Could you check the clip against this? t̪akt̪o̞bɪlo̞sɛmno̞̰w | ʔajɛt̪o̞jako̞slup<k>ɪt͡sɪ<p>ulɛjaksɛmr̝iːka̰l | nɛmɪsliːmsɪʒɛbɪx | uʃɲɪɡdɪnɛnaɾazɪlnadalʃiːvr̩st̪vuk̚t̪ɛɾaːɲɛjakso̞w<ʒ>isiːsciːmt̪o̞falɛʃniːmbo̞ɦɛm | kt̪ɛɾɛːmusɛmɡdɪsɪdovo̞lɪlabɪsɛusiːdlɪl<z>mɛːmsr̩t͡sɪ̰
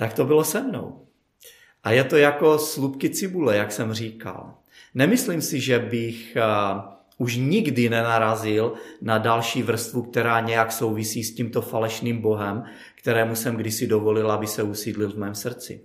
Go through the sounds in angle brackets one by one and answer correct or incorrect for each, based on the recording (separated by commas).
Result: correct, incorrect, incorrect, incorrect